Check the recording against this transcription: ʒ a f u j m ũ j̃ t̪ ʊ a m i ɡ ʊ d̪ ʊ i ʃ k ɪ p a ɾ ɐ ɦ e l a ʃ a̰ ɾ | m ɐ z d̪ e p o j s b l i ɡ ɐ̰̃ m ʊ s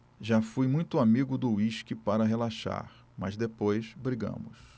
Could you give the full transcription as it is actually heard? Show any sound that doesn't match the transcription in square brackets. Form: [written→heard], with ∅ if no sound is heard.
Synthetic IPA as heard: ʒ a f u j m ũ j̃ t̪ ʊ a m i ɡ ʊ d̪ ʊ i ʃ k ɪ p a ɾ ɐ ɦ e l a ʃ a̰ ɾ | m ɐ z d̪ e p o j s b [l→ɾ] i ɡ ɐ̰̃ m ʊ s